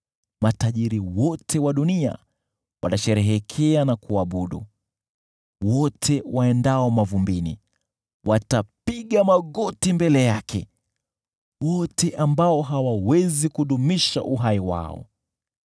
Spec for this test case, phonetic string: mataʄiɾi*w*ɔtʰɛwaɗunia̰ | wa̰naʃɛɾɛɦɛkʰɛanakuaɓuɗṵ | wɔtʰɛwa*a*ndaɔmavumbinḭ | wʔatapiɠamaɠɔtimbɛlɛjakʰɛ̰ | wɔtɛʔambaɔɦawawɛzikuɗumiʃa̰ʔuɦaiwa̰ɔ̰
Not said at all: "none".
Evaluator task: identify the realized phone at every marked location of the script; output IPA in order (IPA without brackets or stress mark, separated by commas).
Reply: w, ɛ